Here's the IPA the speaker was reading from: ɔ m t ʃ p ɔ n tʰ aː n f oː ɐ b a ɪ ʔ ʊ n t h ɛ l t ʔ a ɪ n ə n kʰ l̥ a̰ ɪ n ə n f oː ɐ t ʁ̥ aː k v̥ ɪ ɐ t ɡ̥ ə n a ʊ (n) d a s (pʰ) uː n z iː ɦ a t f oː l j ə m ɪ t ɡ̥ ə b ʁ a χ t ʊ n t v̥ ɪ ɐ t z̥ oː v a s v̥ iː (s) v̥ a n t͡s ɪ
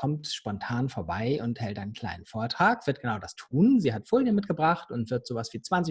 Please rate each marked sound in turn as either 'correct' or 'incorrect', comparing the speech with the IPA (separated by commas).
incorrect, incorrect, incorrect